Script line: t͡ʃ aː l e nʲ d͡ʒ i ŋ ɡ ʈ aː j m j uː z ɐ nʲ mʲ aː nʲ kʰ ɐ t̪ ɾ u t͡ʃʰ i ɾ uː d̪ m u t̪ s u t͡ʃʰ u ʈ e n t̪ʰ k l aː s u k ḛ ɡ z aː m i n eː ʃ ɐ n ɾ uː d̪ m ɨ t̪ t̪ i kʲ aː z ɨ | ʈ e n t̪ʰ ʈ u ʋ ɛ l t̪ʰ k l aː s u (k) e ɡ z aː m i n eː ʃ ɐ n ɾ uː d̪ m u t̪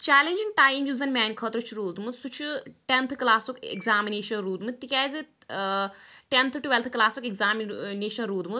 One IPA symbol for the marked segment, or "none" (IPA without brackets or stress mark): k